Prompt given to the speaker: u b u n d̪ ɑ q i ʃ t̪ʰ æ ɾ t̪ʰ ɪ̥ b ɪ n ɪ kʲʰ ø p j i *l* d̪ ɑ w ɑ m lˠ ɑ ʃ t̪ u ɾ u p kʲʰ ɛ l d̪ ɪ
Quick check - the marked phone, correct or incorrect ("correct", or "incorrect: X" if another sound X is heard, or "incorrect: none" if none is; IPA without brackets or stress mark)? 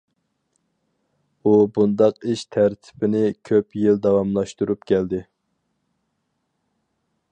correct